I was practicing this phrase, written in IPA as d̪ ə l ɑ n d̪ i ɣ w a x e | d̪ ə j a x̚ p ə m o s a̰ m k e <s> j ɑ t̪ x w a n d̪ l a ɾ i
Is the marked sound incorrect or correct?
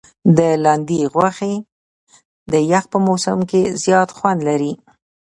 incorrect